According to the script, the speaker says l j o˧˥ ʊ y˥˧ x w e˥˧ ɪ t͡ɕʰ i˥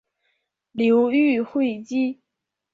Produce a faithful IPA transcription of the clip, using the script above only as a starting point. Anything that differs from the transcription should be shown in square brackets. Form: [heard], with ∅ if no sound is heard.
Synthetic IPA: l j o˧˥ ʊ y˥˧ x w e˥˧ ɪ [t͡ɕ] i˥